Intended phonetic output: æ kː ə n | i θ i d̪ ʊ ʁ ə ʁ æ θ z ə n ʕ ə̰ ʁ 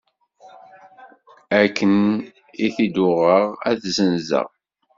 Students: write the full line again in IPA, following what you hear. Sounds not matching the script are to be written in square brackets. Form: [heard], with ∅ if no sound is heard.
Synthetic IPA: æ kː ə n | i θ i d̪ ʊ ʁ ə ʁ æ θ z ə n [z] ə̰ ʁ